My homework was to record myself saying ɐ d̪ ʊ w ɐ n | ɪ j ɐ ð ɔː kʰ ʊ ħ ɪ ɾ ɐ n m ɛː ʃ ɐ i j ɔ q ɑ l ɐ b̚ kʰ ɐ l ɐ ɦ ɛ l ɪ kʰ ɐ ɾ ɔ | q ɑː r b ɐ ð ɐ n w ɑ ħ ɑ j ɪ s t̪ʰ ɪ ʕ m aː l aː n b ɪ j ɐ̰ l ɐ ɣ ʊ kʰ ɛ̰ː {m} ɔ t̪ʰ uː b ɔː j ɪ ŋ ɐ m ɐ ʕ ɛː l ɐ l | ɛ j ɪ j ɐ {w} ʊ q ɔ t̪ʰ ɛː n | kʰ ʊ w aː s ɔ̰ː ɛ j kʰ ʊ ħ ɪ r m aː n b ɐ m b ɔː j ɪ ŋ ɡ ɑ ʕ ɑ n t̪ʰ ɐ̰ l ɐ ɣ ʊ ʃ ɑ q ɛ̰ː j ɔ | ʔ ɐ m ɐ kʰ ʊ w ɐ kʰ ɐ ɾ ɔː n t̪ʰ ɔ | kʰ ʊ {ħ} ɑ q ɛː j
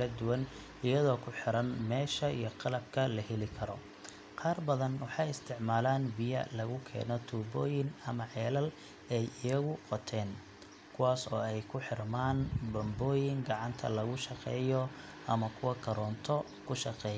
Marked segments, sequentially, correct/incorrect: incorrect, incorrect, incorrect

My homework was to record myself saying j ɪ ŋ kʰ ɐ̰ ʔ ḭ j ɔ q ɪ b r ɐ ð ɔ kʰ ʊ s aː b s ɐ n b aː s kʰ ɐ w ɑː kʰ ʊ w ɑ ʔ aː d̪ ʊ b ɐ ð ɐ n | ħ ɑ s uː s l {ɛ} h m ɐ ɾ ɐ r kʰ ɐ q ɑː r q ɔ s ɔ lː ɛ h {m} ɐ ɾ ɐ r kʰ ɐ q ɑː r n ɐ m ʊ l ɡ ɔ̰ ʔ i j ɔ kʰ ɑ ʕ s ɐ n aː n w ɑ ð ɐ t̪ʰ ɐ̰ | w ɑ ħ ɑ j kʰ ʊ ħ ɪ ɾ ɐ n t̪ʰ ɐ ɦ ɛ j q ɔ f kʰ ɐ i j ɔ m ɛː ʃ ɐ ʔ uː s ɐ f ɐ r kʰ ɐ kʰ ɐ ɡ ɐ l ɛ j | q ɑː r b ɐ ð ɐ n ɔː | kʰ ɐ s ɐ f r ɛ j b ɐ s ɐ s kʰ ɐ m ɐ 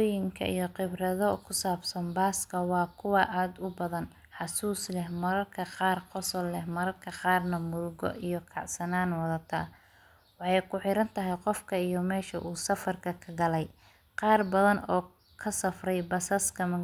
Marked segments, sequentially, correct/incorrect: correct, correct

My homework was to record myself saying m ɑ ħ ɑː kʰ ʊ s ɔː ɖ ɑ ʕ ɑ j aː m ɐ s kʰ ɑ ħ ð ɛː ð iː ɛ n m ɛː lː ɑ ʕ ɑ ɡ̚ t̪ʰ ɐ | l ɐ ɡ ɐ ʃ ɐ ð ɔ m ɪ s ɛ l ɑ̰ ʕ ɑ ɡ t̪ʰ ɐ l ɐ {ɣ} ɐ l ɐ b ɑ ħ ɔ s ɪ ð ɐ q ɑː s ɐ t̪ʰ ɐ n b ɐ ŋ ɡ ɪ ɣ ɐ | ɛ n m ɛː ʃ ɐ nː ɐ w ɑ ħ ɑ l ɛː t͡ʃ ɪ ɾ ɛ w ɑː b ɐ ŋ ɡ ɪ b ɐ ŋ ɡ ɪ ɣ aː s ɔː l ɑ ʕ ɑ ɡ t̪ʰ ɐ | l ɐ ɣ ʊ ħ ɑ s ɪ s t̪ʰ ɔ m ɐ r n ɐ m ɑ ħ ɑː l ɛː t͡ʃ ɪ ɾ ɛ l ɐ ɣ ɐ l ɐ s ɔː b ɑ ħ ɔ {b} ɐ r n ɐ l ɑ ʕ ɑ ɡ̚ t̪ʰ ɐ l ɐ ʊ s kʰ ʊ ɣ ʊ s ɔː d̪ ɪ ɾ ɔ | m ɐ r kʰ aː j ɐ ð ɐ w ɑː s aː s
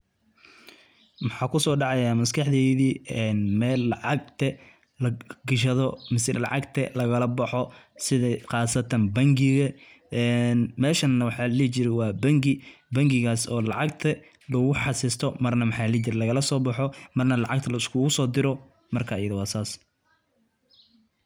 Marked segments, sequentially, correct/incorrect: correct, incorrect

